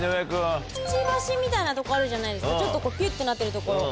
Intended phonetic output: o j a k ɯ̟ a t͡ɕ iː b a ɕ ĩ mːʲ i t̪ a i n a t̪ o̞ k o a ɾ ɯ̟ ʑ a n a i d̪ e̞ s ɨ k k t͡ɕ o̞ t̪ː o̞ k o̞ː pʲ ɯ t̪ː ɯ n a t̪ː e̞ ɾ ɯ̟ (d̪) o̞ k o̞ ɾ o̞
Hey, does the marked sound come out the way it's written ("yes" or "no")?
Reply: no